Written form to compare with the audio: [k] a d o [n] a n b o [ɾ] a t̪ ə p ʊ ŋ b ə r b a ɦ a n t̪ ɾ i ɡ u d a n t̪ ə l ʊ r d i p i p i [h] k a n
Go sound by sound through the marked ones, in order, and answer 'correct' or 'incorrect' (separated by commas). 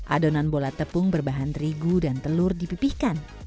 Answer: incorrect, correct, incorrect, correct